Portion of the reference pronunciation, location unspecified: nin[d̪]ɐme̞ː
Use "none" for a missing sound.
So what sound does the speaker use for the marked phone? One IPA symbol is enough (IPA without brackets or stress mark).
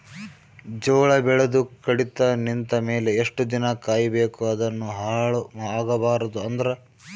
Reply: t̪